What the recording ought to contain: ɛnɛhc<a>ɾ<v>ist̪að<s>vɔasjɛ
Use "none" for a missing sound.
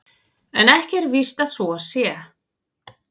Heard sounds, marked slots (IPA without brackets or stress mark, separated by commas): ɛ, v, s